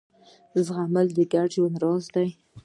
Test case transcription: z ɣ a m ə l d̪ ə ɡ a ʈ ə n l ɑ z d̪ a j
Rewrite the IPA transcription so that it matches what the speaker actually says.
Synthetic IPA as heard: z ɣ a m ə l d̪ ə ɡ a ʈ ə n ɾ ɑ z d̪ a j